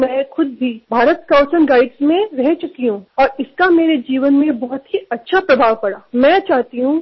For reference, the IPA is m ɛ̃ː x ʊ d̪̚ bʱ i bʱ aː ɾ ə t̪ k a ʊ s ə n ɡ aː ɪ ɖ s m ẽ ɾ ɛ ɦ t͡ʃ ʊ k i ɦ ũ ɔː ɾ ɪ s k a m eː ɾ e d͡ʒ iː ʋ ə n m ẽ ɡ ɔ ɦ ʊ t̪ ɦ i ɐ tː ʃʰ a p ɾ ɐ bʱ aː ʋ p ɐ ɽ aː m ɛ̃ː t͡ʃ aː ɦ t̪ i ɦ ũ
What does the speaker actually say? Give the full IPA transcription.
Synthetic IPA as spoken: m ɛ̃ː x ʊ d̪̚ bʱ i bʱ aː ɾ ə t̪ k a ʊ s ə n ɡ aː ɪ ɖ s m ẽ ɾ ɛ ɦ t͡ʃ ʊ k i ɦ ũ ɔː ɾ ɪ s k a m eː ɾ e d͡ʒ iː ʋ ə n m ẽ b ɔ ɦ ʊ t̪ ɦ i ɐ tː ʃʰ a p ɾ ɐ bʱ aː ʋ p ɐ ɽ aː m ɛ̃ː t͡ʃ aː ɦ t̪ i ɦ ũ